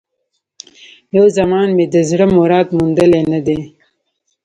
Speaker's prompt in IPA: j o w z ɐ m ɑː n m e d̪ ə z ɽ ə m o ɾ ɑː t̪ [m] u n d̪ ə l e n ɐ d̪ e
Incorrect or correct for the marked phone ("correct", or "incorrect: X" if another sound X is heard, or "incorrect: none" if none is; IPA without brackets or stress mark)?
correct